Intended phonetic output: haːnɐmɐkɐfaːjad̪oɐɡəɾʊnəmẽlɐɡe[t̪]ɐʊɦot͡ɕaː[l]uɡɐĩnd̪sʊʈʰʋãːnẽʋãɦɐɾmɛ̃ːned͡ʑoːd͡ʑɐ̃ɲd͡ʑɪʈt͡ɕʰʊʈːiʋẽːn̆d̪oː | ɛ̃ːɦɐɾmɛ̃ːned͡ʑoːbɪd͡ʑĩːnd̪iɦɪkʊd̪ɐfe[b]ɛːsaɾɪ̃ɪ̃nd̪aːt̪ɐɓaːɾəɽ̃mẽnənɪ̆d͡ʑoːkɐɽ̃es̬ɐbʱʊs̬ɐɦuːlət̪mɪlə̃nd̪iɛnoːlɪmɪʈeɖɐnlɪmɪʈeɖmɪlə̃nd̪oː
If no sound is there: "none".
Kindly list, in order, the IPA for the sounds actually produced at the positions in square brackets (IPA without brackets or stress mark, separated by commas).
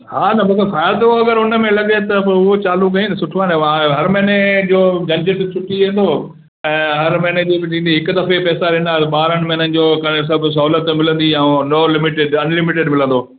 t̪, l, p